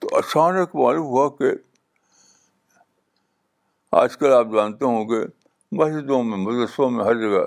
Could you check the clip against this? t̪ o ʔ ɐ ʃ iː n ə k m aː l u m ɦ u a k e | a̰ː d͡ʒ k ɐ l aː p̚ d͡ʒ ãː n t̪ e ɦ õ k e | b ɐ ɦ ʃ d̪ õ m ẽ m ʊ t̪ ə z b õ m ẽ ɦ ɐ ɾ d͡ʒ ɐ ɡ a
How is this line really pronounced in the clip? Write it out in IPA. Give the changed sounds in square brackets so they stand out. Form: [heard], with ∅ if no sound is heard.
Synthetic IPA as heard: t̪ o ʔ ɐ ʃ [aː] n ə k m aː l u m ɦ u a k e | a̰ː d͡ʒ k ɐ l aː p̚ d͡ʒ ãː n t̪ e ɦ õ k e | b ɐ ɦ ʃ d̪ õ m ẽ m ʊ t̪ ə [s] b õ m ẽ ɦ ɐ ɾ d͡ʒ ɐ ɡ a